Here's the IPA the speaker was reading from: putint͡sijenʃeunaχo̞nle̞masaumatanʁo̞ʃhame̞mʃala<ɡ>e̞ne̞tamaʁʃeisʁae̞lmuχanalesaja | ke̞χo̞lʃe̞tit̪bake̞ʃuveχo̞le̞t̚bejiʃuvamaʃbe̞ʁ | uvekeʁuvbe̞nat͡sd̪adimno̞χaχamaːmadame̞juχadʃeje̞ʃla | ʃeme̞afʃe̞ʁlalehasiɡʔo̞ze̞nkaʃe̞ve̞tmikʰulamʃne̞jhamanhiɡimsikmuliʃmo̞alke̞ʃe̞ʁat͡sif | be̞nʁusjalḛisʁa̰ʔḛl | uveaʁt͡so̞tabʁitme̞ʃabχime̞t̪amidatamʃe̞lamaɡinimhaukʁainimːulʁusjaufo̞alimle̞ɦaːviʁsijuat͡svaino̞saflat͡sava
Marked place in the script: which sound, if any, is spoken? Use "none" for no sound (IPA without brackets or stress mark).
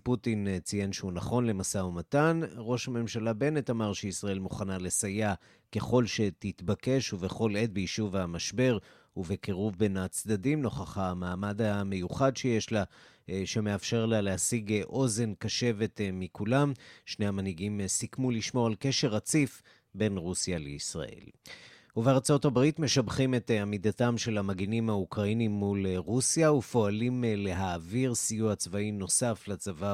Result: b